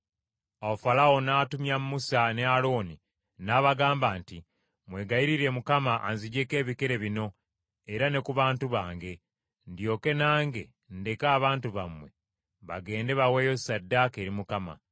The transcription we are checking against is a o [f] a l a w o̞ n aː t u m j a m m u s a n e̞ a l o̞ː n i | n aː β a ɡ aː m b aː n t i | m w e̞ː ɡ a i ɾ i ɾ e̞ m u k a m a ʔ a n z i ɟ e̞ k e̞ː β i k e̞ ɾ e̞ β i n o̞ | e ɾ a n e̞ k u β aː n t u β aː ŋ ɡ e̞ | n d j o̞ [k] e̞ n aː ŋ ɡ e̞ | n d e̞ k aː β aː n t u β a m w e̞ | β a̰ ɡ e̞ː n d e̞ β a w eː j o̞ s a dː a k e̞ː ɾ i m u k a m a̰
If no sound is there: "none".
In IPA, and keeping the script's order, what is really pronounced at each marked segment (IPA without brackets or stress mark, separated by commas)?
f, k